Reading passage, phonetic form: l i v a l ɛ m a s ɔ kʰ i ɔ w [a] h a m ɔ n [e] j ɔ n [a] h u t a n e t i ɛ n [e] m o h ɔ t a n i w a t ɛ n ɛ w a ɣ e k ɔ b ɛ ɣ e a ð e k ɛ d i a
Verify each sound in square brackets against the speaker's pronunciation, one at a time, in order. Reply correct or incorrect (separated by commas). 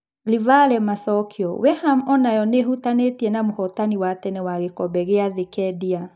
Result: incorrect, incorrect, incorrect, incorrect